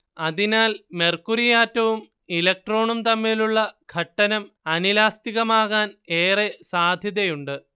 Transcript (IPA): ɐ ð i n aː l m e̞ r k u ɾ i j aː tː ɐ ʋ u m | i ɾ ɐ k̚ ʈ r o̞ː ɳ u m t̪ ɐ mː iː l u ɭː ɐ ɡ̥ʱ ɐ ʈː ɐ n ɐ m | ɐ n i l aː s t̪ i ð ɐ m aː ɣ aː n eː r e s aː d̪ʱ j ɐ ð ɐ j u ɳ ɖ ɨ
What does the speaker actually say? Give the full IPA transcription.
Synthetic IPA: ɐ ð i n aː l m e̞ r k u ɾ i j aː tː ɐ ʋ u m | i l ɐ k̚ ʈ r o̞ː ɳ u m t̪ ɐ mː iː l u ɭː ɐ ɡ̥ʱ ɐ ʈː ɐ n ɐ m | ɐ n i l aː s t̪ i ɣ ɐ m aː ɣ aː n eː r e s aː d̪ʱ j ɐ ð ɐ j u ɳ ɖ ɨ

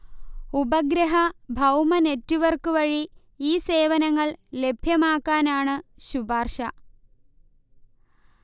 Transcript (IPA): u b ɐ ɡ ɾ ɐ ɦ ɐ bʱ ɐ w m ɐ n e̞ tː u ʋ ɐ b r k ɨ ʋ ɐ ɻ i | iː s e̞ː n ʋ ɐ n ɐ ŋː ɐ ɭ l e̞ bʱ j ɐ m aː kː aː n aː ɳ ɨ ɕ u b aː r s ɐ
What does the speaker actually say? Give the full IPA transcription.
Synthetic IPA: u b ɐ ɡ ɾ ɐ ɦ ɐ bʱ ɐ w m ɐ n e̞ tː u ʋ ɐ r k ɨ ʋ ɐ ɻ i | iː s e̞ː ʋ ɐ n ɐ ŋː ɐ ɭ l e̞ bʱ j ɐ m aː kː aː n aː ɳ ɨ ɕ u b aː r ʂ ɐ

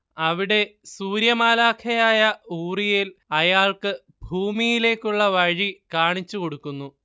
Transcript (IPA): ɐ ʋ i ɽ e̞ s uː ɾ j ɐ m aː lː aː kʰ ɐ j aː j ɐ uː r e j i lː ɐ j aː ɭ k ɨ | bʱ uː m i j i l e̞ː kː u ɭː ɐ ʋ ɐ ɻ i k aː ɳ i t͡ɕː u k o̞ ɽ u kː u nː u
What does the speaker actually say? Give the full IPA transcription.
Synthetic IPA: ɐ ʋ i ɽ e̞ s uː ɾ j ɐ m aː l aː kʰ ɐ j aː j ɐ uː r i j i l ɐ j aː ɭ k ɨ | bʱ uː m i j i l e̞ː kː u ɭː ɐ ʋ ɐ ɻ i k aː ɳ i t͡ɕː u k o̞ ɽ u kː u nː u

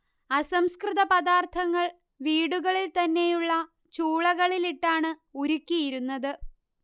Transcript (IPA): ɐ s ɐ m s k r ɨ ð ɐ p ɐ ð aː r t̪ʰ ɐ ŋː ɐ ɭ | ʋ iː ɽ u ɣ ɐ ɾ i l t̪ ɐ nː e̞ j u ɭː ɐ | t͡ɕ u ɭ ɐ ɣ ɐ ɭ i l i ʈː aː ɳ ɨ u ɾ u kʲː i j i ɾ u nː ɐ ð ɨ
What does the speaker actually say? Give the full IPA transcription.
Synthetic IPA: ɐ s ɐ m s k r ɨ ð ɐ p ɐ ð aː r t̪ʰ ɐ ŋː ɐ ɭ | ʋ iː ɽ u ɣ ɐ ɭ i l t̪ ɐ nː e̞ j u ɭː ɐ | t͡ɕ uː ɭ ɐ ɣ ɐ ɭ i l i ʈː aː ɳ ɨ u ɾ u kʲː i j i ɾ u nː ɐ ð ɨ

